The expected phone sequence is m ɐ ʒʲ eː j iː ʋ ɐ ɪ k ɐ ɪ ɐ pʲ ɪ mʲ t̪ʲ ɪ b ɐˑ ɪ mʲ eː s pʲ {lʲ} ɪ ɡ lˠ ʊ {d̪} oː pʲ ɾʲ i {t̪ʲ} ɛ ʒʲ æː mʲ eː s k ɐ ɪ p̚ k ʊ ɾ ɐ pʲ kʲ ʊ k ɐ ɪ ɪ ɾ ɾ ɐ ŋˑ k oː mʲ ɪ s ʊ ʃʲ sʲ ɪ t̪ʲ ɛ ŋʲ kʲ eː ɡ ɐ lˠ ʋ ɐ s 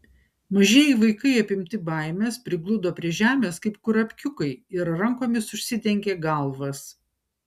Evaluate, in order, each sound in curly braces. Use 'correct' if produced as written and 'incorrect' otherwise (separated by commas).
incorrect, correct, incorrect